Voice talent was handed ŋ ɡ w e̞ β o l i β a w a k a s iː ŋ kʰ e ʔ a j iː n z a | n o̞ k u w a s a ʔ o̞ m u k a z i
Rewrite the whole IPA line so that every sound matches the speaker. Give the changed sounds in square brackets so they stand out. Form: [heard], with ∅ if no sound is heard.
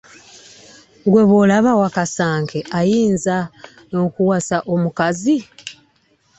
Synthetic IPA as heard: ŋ ɡ w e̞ β o l [a] β a w a k a s [aː] ŋ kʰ e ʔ a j iː n z a | n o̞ k u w a s a ʔ o̞ m u k a z i